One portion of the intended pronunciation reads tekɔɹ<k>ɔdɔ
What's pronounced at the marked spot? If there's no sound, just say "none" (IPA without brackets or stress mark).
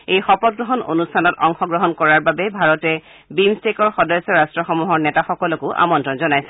x